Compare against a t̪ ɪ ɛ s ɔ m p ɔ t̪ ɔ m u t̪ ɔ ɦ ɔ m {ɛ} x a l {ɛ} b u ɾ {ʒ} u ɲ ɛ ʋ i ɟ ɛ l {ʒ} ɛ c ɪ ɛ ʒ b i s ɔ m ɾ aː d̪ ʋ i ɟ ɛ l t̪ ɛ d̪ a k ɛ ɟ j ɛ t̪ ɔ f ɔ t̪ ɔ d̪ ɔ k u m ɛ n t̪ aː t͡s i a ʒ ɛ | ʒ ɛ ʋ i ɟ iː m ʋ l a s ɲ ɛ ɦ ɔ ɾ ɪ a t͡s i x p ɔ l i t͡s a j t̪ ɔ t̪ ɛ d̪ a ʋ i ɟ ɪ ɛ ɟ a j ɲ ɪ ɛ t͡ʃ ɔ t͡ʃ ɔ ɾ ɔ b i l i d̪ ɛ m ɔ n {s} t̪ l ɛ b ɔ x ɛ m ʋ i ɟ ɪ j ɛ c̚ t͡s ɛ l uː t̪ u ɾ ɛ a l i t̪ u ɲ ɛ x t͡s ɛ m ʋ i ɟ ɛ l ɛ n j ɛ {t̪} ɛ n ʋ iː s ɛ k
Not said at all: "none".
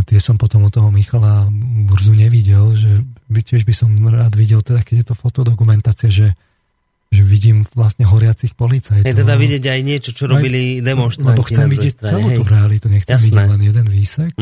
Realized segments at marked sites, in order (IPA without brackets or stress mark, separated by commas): i, a, z, ʒ, ʃ, d̪